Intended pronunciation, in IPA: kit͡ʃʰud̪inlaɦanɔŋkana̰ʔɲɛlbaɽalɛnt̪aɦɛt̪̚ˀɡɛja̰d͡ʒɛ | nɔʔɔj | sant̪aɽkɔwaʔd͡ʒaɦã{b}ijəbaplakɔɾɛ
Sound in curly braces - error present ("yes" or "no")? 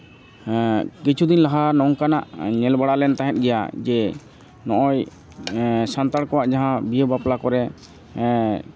no